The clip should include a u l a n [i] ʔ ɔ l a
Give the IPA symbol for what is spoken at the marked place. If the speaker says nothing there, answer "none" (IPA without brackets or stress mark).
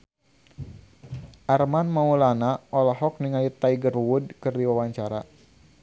a